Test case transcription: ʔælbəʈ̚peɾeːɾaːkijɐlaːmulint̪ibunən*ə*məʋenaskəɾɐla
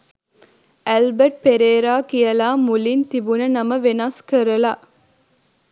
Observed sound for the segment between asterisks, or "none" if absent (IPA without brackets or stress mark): ɐ